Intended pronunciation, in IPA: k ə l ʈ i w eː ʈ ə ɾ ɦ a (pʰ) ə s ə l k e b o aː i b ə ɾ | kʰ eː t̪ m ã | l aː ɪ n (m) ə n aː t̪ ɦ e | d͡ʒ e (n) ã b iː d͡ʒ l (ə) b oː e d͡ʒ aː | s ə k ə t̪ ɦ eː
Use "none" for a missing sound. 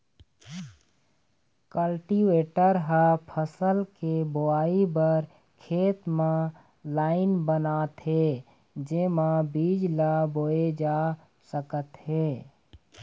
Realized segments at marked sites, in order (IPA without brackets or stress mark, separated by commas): pʰ, b, m, a